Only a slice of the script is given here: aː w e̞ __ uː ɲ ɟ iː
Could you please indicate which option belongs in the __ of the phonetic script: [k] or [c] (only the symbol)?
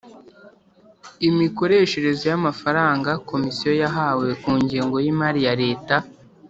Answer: k